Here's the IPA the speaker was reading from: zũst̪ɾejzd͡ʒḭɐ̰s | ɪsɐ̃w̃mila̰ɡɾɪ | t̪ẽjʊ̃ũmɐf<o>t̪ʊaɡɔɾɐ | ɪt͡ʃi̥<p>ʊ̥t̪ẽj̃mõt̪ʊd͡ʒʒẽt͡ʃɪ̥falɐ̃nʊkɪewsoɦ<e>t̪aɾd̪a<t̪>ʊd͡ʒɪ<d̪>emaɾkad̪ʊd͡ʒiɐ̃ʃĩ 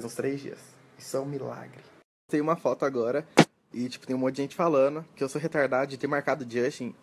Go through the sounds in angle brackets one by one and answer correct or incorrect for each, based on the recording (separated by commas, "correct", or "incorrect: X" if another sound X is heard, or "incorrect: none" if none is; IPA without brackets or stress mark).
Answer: incorrect: ɔ, correct, correct, incorrect: d̪, incorrect: t̪